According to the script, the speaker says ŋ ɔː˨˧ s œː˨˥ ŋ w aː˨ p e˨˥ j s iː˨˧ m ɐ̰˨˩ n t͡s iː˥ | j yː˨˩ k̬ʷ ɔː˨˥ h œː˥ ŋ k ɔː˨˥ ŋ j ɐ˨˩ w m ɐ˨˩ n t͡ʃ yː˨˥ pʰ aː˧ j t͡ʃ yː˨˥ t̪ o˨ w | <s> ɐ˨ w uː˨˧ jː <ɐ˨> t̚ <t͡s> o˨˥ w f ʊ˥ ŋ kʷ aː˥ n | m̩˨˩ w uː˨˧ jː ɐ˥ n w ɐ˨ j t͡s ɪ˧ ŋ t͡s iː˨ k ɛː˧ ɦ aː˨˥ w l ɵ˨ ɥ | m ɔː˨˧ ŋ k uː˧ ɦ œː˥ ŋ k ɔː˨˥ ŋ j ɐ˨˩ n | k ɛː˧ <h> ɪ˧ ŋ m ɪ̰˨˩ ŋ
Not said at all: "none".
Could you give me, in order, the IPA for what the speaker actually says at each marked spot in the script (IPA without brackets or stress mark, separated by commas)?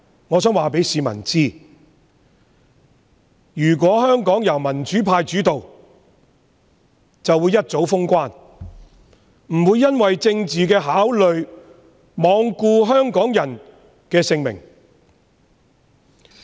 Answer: t͡s, ɐ˥, t͡s, s